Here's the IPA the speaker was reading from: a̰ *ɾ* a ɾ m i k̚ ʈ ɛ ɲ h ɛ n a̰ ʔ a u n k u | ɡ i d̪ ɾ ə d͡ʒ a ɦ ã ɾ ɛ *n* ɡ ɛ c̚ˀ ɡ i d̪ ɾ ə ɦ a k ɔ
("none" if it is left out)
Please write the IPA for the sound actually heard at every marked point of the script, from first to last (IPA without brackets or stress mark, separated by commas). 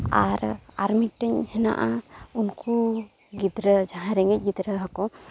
ɾ, ŋ